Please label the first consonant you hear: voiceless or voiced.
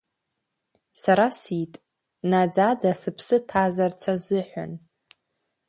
voiceless